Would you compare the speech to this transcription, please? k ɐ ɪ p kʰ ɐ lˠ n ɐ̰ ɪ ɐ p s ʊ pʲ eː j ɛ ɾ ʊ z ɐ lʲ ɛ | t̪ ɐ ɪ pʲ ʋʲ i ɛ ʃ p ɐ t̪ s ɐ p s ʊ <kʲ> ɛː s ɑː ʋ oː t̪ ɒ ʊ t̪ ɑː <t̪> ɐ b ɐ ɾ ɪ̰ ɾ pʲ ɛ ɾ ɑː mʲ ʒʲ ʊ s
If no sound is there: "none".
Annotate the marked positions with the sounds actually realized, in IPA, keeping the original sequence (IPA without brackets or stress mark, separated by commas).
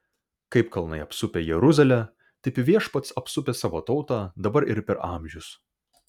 pʲ, d̪